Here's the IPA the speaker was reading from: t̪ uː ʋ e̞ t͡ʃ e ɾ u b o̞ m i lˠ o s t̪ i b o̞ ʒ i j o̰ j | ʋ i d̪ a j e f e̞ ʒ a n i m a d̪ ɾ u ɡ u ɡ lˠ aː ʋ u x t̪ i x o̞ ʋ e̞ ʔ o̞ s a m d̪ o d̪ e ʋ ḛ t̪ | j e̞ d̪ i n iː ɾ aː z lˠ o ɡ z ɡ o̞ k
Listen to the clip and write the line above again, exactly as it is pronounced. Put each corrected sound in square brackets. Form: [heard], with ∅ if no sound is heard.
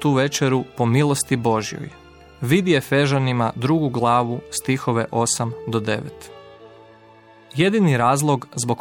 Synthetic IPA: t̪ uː ʋ e̞ t͡ʃ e ɾ u [p] o̞ m i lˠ o s t̪ i b o̞ ʒ i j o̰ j | ʋ i d̪ [i] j e f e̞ ʒ a n i m a d̪ ɾ u ɡ u ɡ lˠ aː ʋ u [s] t̪ i x o̞ ʋ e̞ ʔ o̞ s a m d̪ o d̪ e ʋ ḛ t̪ | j e̞ d̪ i n [i] ɾ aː z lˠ o ɡ z [b] o̞ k